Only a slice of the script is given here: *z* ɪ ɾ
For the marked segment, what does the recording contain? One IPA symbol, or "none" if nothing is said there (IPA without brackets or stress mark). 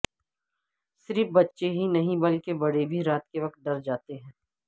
s